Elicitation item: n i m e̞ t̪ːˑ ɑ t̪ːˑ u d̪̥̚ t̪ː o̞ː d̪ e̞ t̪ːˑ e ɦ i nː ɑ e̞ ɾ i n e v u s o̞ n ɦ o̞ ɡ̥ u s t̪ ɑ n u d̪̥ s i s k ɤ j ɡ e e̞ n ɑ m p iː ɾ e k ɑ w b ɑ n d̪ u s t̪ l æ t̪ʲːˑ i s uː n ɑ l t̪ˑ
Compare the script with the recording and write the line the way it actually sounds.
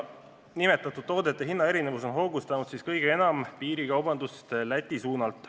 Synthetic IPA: n i m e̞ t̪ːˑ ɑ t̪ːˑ u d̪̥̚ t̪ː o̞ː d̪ e̞ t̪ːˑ e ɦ i nː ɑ e̞ ɾ i n e v u s o̞ n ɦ o̞ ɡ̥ u s t̪ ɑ n u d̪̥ s i s k ɤ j ɡ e e̞ n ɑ m p iː ɾ i k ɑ w b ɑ n d̪ u s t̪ l æ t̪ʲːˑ i s uː n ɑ l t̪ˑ